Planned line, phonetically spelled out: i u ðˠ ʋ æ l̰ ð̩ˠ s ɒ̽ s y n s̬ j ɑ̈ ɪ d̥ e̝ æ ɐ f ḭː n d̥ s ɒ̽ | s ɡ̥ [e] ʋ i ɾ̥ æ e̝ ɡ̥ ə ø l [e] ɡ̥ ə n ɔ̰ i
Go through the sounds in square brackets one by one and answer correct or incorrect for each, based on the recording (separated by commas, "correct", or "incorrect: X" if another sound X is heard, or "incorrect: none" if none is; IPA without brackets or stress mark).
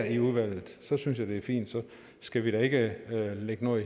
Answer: incorrect: æ, correct